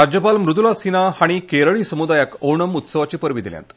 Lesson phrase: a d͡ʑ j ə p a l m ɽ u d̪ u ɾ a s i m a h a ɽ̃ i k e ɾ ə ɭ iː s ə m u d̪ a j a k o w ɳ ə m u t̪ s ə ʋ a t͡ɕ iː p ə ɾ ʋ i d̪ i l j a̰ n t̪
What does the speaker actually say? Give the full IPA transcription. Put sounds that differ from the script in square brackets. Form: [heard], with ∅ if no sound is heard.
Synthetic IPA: a d͡ʑ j ə p a l m [ɾ] u d̪ u [l] a s i [n] a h a ɽ̃ i k e ɾ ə ɭ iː s ə m u d̪ a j a k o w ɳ ə m u t̪ s ə ʋ a t͡ɕ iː p ə ɾ ʋ i d̪ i l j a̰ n t̪